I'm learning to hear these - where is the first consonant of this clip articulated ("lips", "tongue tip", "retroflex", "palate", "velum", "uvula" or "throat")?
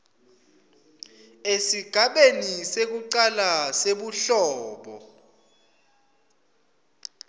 tongue tip